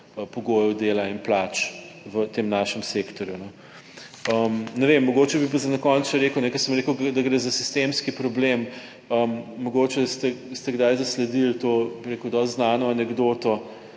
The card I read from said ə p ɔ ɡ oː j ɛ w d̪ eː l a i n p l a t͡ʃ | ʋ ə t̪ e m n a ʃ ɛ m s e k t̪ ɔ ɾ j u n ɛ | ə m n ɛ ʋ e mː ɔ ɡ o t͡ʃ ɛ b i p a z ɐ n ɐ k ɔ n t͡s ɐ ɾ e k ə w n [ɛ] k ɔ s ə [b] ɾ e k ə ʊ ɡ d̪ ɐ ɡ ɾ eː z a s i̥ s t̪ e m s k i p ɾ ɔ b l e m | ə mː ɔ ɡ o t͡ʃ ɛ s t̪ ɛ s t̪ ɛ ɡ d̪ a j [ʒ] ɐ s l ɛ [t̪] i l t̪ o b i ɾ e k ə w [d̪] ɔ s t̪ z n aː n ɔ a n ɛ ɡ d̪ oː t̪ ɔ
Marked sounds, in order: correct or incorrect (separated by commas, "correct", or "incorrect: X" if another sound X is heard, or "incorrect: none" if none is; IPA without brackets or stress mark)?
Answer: correct, incorrect: m, incorrect: z, incorrect: d̪, correct